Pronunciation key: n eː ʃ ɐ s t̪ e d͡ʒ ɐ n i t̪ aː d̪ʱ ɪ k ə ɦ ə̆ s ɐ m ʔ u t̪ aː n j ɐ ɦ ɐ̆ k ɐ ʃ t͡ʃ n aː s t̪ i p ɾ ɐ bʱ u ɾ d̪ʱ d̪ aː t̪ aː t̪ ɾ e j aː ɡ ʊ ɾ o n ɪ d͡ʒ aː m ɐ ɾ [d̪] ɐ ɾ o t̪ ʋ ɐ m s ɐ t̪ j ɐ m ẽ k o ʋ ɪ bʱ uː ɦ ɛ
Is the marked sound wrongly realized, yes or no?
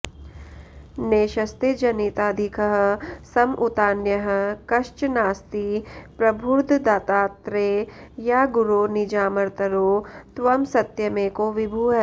yes